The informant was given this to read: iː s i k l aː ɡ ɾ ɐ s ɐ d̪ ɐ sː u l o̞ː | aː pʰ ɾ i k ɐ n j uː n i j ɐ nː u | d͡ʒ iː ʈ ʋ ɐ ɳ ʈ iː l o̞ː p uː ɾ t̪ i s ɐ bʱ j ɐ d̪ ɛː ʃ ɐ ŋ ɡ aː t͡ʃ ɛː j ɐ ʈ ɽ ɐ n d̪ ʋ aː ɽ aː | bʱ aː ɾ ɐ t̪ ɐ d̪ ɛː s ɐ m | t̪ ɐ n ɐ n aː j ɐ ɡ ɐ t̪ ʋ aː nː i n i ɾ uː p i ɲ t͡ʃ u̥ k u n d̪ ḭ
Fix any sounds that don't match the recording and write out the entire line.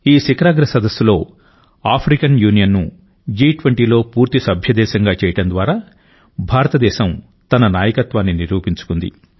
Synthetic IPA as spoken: iː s i k ɾ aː ɡ ɾ ɐ s ɐ d̪ ɐ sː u l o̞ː | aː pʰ ɾ i k ɐ n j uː n i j ɐ nː u | d͡ʒ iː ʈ ʋ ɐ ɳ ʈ iː l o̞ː p uː ɾ t̪ i s ɐ bʱ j ɐ d̪ ɛː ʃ ɐ ŋ ɡ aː t͡ʃ ɛː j ɐ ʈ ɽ ɐ n d̪ ʋ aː ɾ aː | bʱ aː ɾ ɐ t̪ ɐ d̪ ɛː ʃ ɐ m | t̪ ɐ n ɐ n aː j ɐ k ɐ t̪ ʋ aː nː i n i ɾ uː p i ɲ t͡ʃ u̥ k u n d̪ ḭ